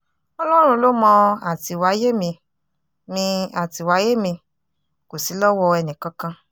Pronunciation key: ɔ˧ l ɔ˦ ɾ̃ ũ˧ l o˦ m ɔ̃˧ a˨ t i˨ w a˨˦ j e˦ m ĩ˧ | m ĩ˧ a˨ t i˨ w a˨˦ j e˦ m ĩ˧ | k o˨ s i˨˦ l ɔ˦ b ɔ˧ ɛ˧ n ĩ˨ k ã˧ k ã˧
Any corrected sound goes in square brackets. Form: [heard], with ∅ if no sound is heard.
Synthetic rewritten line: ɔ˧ l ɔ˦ ɾ̃ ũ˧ l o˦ m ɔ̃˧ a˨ t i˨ w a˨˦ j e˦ m ĩ˧ | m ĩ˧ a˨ t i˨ w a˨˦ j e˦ m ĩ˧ | k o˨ s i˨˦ l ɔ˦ [w] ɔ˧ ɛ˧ n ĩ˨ k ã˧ k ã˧